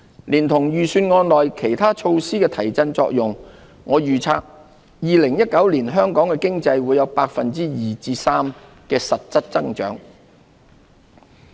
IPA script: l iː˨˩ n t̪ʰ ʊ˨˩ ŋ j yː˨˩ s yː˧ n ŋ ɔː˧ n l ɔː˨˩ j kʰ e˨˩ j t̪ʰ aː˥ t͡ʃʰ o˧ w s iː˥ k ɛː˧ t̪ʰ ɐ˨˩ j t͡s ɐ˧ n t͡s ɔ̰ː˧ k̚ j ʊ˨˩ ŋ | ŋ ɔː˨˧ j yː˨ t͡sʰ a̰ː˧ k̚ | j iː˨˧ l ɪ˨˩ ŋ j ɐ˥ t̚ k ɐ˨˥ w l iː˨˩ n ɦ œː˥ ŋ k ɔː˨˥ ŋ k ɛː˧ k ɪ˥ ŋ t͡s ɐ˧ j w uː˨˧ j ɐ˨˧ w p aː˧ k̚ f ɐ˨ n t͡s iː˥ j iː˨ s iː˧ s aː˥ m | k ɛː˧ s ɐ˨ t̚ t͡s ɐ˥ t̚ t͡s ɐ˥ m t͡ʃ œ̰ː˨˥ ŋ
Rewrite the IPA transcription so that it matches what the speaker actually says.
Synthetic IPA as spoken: l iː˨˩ n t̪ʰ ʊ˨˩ ŋ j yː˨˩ s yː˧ n ŋ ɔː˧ n l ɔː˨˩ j kʰ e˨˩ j t̪ʰ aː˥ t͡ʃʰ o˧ w s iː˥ k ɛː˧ t̪ʰ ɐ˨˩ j t͡s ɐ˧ n t͡s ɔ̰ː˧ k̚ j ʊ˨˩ ŋ | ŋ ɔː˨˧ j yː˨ t͡sʰ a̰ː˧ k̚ | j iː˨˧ l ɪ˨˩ ŋ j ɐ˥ t̚ k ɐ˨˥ w l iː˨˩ n ɦ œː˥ ŋ k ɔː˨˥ ŋ k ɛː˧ k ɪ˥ ŋ t͡s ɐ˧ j w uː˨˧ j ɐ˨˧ w p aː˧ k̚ f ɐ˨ n t͡s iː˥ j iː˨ t͡s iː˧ s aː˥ m | k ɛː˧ s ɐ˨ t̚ t͡s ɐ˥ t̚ t͡s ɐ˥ ŋ t͡ʃ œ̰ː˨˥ ŋ